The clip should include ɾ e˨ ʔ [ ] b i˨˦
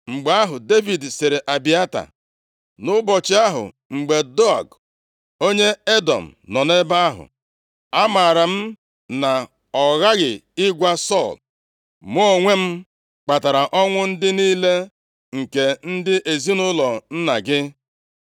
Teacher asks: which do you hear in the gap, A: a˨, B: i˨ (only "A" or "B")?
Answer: A